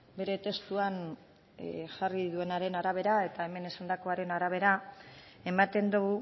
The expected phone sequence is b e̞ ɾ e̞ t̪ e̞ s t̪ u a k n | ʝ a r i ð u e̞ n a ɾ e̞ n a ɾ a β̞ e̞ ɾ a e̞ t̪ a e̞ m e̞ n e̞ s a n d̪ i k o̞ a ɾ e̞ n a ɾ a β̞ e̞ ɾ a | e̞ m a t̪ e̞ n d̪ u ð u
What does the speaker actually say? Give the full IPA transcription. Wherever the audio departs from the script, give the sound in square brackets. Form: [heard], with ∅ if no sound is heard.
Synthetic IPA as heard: b e̞ ɾ e̞ t̪ e̞ s t̪ u a [∅] n | ʝ a r i ð u e̞ n a ɾ e̞ n a ɾ a β̞ e̞ ɾ a e̞ t̪ a e̞ m e̞ n e̞ s a n d̪ [a] k o̞ a ɾ e̞ n a ɾ a β̞ e̞ ɾ a | e̞ m a t̪ e̞ n d̪ u [ɣ] u